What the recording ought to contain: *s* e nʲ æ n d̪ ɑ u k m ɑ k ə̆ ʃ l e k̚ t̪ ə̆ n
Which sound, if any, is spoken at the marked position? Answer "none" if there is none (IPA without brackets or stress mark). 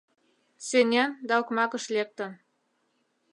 s